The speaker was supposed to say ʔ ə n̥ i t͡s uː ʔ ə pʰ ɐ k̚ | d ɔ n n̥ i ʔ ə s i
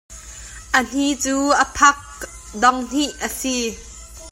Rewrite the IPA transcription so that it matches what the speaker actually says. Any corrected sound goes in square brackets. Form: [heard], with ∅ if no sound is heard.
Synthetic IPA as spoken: ʔ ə n̥ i t͡s uː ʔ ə pʰ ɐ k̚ | d ɔ [ŋ] n̥ i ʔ ə s i